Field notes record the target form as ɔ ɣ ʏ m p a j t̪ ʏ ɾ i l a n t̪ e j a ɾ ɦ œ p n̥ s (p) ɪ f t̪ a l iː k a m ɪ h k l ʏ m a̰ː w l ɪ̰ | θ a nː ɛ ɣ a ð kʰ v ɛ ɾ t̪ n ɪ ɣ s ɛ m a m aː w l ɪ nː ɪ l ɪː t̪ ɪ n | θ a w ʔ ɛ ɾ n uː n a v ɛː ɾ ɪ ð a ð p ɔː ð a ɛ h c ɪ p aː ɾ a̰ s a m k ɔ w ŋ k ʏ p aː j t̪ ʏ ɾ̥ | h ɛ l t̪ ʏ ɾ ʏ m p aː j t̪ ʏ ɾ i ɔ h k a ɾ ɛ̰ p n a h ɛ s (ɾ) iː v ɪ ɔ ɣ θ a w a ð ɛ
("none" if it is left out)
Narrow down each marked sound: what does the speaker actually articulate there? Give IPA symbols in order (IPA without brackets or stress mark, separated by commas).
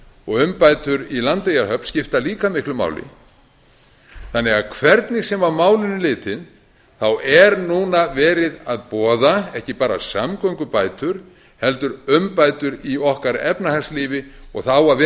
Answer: c, l